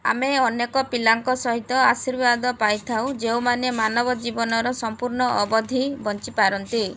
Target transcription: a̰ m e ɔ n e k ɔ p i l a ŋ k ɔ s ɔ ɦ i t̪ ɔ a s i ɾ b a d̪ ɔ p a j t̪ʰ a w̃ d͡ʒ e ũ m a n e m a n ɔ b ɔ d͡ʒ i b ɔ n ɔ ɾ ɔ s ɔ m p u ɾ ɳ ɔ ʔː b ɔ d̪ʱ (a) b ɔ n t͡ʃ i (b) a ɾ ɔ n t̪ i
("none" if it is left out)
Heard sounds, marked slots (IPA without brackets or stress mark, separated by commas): i, p